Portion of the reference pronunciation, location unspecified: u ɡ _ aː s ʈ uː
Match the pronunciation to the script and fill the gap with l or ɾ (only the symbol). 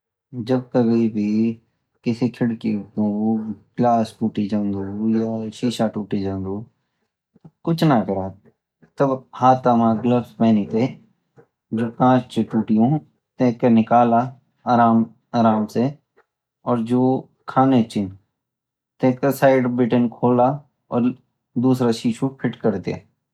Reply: l